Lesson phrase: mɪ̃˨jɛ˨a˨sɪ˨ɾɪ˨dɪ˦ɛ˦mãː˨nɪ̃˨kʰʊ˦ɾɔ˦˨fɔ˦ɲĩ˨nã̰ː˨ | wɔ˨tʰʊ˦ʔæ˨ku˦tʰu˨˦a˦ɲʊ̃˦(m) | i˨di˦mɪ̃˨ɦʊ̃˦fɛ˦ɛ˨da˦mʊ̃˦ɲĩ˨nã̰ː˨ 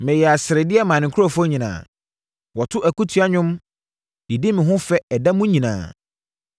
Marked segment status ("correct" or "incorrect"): correct